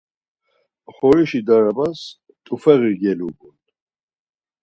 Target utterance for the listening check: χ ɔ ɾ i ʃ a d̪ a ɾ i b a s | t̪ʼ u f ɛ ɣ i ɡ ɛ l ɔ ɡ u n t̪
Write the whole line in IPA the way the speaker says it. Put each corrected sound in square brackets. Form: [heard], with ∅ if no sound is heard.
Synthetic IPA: χ ɔ ɾ i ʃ [i] d̪ a ɾ [a] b a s | t̪ʼ u f ɛ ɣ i ɡ ɛ l [u] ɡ u n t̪